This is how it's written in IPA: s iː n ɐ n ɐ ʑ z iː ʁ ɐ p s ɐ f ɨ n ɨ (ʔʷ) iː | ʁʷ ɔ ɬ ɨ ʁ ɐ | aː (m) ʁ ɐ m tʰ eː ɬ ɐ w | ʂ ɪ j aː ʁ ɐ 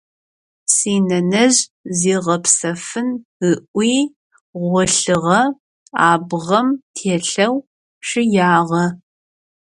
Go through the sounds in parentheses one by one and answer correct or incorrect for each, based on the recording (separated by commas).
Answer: correct, incorrect